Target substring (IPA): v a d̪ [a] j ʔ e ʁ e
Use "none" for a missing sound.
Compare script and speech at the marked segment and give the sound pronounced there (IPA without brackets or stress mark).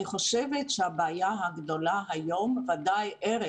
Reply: a